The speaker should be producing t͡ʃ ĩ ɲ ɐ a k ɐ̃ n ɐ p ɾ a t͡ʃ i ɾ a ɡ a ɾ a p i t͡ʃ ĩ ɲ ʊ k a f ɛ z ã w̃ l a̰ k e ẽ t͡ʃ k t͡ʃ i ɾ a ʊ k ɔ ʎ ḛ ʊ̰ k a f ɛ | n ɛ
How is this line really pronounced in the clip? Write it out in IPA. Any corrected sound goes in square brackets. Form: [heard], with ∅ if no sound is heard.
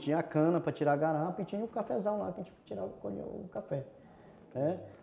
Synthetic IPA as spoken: t͡ʃ ĩ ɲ ɐ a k ɐ̃ n ɐ p ɾ [ɐ] t͡ʃ i ɾ a ɡ a ɾ a p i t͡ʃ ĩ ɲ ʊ k a f ɛ z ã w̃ l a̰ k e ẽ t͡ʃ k t͡ʃ i ɾ a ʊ k [o] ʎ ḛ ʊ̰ k a f ɛ | n ɛ